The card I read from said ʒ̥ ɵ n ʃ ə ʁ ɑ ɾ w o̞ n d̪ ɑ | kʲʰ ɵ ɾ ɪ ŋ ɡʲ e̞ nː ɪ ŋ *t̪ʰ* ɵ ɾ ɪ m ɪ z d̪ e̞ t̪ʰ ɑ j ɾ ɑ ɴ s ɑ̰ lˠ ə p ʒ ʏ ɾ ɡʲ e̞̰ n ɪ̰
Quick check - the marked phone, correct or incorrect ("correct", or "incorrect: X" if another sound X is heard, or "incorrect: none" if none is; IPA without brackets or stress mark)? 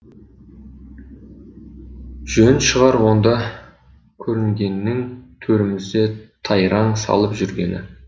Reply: correct